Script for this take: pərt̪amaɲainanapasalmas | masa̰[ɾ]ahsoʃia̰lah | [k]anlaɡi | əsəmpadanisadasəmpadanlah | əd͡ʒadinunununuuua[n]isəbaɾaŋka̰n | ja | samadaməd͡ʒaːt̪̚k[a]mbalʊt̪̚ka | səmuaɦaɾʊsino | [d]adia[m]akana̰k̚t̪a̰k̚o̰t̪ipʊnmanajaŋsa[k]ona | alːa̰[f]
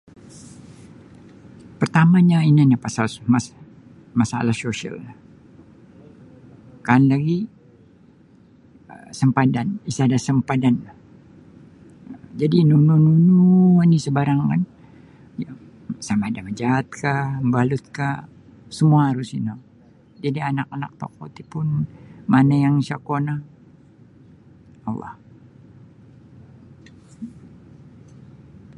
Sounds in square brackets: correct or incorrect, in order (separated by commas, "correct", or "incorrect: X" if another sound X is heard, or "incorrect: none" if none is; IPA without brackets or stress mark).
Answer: incorrect: l, correct, correct, correct, incorrect: d͡ʒ, incorrect: n, correct, incorrect: h